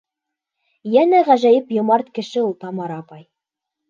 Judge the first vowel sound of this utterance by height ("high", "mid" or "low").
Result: low